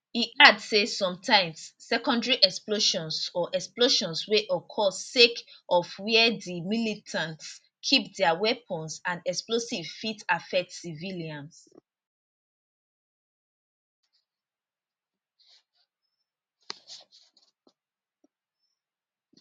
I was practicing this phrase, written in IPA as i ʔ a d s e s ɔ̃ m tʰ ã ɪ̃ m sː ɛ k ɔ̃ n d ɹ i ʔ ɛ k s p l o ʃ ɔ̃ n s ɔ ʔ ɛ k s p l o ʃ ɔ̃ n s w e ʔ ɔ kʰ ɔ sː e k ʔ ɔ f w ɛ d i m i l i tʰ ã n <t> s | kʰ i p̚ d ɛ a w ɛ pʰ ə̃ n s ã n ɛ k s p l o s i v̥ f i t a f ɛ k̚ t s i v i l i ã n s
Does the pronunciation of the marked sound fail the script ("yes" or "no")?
no